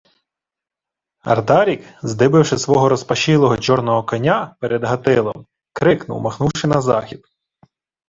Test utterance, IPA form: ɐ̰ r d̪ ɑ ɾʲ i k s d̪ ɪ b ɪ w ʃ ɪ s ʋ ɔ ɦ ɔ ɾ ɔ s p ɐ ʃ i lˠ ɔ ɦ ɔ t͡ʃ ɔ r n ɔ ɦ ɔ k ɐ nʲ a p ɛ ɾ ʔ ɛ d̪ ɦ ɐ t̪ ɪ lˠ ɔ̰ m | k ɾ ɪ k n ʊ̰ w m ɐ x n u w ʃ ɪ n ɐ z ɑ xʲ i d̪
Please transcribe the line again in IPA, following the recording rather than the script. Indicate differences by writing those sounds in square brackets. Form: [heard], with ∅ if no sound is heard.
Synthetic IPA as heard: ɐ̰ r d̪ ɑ ɾʲ i k [z] d̪ ɪ b ɪ w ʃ ɪ s ʋ ɔ ɦ ɔ ɾ ɔ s p ɐ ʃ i lˠ ɔ ɦ ɔ t͡ʃ ɔ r n ɔ ɦ ɔ k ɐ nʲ a p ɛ ɾ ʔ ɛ d̪ ɦ ɐ t̪ ɪ lˠ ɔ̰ m | k ɾ ɪ k n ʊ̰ w m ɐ x n u w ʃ ɪ n ɐ z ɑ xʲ i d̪